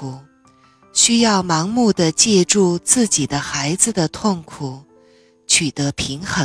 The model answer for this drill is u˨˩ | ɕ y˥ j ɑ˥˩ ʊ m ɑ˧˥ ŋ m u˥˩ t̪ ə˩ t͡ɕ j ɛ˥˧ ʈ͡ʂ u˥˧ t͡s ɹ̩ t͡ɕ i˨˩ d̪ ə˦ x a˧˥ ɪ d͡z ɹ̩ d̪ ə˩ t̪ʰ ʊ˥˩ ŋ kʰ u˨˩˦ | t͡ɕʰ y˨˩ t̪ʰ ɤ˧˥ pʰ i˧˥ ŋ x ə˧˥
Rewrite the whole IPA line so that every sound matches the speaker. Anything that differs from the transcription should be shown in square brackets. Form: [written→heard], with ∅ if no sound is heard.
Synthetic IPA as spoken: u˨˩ | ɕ y˥ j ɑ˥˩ ʊ m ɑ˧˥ ŋ m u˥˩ [t̪→d̪] ə˩ t͡ɕ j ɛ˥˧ ʈ͡ʂ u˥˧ t͡s ɹ̩ t͡ɕ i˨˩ d̪ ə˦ x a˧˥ ɪ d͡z ɹ̩ d̪ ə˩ t̪ʰ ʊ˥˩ ŋ kʰ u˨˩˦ | t͡ɕʰ y˨˩ [t̪ʰ→t̪] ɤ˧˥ pʰ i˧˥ ŋ x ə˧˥